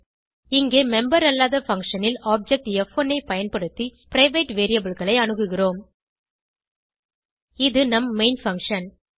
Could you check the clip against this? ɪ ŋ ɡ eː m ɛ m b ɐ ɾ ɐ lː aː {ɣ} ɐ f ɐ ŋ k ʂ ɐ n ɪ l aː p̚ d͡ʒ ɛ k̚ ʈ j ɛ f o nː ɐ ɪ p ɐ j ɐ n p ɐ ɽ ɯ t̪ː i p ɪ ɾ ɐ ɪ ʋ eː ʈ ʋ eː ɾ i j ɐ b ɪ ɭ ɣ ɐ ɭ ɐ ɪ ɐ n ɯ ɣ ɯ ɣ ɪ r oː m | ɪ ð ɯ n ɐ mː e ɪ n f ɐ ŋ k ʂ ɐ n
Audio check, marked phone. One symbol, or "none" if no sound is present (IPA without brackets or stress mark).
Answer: ð